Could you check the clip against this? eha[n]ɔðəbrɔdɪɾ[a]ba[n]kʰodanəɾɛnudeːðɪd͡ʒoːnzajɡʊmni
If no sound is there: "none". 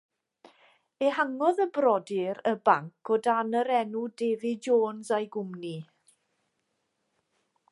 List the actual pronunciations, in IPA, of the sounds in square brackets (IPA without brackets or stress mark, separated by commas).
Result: ŋ, ə, ŋ